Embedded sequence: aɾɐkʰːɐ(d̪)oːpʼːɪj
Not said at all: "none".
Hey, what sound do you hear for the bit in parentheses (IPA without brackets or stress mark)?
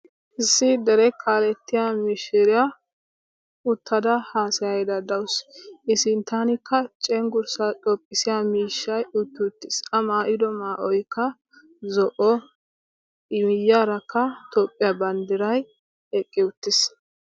t̪